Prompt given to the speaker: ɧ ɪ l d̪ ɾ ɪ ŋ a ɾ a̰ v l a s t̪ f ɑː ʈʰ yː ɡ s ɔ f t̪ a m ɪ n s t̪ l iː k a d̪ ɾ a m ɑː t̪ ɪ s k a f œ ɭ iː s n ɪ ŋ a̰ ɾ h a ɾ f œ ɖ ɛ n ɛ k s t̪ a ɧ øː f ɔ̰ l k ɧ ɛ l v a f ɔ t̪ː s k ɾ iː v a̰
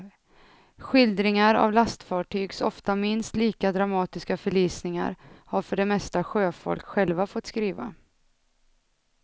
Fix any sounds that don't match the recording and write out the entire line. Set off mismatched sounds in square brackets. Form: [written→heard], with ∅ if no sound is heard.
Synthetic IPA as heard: ɧ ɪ l d̪ ɾ ɪ ŋ a ɾ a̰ v l a s t̪ f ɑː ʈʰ yː ɡ s ɔ f t̪ a m ɪ n s t̪ l iː k a d̪ ɾ a m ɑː t̪ ɪ s k a f œ ɭ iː s n ɪ ŋ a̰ ɾ h a ɾ f œ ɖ ɛ [n→m] ɛ [k→∅] s t̪ a ɧ øː f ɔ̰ l k ɧ ɛ l v a f ɔ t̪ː s k ɾ iː v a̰